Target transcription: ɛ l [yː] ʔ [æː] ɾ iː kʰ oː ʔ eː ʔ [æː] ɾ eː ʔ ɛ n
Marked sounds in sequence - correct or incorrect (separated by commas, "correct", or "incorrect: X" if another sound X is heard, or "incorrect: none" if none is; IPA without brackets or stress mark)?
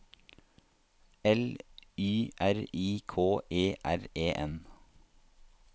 correct, incorrect: æ, incorrect: æ